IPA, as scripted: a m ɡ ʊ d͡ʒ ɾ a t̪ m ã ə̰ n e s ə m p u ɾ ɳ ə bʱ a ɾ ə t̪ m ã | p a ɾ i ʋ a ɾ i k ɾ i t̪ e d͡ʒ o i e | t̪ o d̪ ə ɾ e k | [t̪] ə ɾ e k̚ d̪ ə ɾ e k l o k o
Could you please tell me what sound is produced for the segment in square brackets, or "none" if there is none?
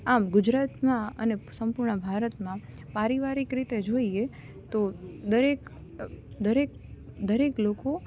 d̪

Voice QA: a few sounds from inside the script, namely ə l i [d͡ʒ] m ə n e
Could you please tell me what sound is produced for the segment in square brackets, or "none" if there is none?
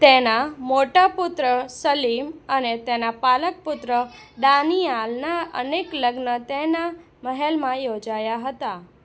none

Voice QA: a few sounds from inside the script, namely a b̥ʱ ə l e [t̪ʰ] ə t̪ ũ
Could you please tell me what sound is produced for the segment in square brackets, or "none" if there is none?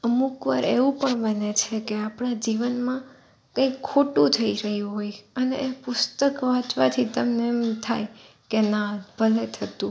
t̪ʰ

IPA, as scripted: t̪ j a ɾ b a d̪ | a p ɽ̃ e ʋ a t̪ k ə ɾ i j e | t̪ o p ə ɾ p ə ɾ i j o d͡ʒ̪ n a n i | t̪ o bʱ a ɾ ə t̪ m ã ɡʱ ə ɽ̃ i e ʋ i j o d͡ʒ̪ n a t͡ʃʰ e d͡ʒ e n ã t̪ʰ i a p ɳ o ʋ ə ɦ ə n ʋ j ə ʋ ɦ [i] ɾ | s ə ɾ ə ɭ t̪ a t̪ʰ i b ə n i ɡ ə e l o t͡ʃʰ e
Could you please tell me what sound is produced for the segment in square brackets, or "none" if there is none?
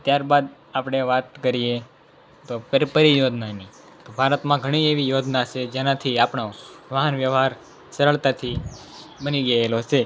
a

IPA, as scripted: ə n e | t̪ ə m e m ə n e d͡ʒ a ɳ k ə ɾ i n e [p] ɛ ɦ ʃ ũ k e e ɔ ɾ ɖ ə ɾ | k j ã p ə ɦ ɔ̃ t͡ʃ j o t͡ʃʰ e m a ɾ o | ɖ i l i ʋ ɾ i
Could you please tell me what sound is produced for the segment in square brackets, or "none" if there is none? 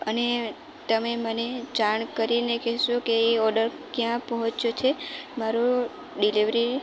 k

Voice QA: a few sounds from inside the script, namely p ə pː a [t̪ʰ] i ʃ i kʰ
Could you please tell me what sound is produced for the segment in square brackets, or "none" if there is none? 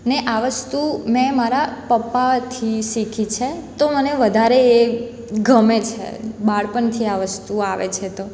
t̪ʰ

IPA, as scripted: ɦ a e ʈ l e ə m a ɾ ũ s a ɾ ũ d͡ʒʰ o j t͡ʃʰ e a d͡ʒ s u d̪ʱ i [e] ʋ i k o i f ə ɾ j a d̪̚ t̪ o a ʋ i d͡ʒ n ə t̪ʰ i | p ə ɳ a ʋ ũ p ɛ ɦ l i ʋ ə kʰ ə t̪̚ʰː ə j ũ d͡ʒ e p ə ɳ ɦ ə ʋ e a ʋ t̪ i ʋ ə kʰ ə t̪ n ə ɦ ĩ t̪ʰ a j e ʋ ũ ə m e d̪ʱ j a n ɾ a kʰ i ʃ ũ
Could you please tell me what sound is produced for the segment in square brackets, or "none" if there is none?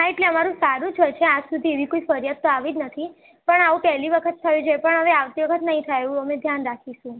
e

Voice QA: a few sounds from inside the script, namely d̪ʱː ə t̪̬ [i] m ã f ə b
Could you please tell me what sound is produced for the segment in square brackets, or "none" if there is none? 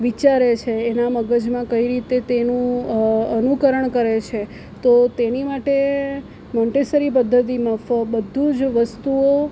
i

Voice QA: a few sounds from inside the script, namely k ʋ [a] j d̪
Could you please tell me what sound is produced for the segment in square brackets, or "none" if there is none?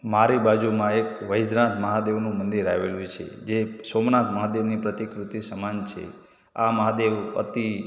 ə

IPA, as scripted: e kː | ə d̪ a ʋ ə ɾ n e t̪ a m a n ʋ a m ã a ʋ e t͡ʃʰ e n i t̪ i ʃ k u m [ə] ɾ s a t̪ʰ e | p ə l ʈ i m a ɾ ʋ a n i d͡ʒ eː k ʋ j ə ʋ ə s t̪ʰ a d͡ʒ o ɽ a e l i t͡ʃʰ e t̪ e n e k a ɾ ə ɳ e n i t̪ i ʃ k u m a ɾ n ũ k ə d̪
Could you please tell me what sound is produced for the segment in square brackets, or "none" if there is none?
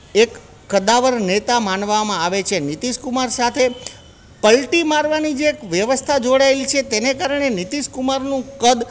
a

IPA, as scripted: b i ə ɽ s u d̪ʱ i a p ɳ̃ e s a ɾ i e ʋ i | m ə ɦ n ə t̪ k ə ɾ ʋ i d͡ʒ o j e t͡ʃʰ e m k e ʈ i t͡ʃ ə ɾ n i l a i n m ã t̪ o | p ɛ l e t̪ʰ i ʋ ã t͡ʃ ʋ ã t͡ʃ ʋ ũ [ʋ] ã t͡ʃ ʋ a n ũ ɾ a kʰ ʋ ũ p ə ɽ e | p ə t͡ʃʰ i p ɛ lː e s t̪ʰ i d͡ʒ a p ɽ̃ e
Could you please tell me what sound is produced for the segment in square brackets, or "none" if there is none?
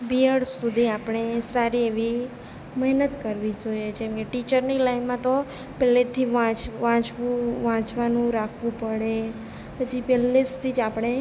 ʋ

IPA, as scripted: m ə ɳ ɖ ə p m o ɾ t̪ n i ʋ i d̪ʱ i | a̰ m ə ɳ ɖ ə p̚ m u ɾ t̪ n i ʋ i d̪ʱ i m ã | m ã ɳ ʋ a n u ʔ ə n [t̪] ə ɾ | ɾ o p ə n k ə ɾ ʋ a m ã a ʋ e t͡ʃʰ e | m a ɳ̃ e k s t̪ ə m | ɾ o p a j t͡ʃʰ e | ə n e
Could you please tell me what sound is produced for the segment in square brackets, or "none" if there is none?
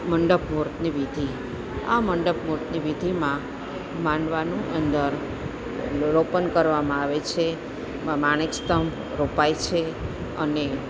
d̪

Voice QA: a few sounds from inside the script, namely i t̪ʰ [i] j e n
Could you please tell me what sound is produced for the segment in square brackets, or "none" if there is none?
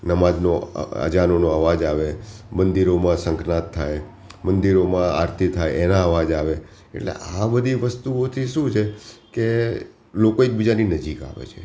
a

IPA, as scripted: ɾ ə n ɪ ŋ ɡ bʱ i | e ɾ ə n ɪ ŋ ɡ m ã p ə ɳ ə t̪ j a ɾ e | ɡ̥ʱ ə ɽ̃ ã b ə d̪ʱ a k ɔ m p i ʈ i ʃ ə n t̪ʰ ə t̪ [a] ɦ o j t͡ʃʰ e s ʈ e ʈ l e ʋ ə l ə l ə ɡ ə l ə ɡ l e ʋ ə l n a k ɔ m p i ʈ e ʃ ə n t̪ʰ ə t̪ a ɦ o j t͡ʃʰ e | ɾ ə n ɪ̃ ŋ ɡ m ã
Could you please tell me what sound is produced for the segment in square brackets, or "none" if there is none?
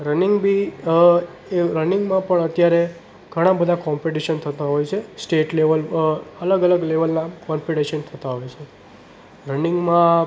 a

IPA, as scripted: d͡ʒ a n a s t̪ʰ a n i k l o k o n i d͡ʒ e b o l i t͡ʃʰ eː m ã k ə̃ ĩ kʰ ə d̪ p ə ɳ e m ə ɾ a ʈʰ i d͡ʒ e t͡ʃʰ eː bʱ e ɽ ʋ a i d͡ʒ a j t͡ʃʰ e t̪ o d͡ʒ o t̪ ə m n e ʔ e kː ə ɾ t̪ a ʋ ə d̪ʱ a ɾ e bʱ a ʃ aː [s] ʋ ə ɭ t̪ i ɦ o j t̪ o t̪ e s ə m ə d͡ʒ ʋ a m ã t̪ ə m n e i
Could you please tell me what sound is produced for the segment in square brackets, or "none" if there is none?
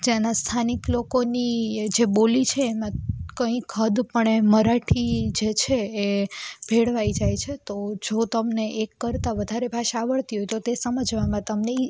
none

